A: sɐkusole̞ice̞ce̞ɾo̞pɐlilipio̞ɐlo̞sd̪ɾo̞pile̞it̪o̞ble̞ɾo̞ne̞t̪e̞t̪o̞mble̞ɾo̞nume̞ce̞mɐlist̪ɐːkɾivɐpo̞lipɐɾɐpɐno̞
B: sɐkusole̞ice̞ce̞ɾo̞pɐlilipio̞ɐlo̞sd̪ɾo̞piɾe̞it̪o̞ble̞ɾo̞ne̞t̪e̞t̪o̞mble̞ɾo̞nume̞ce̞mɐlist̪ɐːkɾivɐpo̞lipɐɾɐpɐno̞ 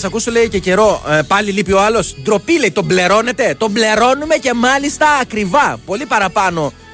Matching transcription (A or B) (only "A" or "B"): A